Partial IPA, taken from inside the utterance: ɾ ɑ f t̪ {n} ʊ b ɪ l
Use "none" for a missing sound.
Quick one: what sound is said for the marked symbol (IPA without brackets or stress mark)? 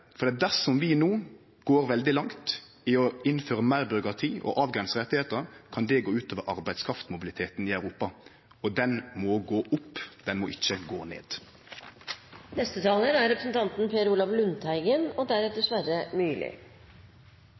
m